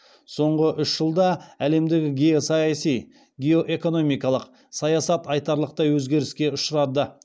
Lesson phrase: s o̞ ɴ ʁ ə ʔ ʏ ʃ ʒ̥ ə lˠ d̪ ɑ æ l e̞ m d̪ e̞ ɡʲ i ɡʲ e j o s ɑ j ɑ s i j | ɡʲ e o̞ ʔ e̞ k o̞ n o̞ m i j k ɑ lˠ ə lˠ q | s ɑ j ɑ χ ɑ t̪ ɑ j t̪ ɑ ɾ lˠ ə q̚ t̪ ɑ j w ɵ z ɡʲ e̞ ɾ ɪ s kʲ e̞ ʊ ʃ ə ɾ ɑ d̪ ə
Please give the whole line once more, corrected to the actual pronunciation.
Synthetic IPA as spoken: s o̞ ɴ ʁ ə ʔ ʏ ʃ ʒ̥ ə lˠ d̪ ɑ æ l e̞ m d̪ e̞ ɡʲ ɪ ɡʲ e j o s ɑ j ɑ s i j | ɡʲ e o̞ ʔ e̞ k o̞ n o̞ m i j k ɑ lˠ ə q | s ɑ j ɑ s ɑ t̪ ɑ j t̪ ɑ ɾ lˠ ə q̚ t̪ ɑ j w ɵ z ɡʲ e̞ ɾ ɪ s kʲ e̞ ʊ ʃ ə ɾ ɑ d̪ ə